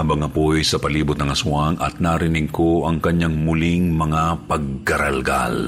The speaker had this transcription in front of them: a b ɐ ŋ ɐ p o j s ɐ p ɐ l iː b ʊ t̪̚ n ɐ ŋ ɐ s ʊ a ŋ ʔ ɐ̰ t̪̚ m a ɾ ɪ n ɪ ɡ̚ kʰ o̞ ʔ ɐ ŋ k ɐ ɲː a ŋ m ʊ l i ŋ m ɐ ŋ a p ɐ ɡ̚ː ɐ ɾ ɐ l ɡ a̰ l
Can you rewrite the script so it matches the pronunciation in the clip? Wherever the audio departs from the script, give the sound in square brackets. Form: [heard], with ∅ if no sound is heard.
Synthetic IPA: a b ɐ ŋ ɐ p o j s ɐ p ɐ l iː b ʊ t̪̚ n ɐ ŋ ɐ s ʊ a ŋ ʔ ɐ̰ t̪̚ [n] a ɾ ɪ n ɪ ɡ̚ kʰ o̞ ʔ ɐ ŋ k ɐ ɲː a ŋ m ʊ l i ŋ m ɐ ŋ a p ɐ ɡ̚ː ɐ ɾ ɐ l ɡ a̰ l